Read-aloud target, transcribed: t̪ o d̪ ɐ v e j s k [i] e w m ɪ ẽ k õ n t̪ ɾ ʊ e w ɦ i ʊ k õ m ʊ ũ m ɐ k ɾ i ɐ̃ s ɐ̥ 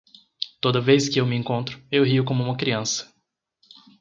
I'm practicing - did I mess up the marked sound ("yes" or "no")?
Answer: yes